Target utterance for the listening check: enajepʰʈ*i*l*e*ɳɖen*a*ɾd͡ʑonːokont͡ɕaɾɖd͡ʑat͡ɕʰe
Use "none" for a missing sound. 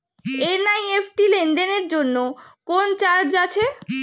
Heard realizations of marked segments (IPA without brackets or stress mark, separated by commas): i, e, e